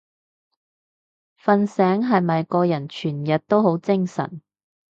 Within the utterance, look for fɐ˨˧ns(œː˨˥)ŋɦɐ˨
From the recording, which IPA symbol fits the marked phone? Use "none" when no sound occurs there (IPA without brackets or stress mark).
ɛː˨˥